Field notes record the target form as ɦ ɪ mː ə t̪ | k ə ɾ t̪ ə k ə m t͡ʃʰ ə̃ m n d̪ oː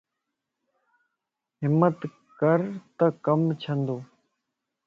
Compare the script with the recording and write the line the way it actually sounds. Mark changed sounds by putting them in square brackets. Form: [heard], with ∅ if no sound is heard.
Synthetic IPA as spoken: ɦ ɪ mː ə t̪ | k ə ɾ t̪ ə k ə m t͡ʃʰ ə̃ [∅] n d̪ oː